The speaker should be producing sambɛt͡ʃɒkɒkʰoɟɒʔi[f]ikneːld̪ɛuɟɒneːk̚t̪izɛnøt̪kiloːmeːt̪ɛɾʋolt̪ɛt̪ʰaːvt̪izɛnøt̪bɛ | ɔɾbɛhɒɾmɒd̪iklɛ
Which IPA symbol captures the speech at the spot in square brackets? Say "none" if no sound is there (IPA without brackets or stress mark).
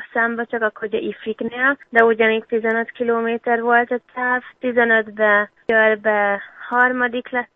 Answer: f